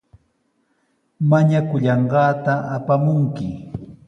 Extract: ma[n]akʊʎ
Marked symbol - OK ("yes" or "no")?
no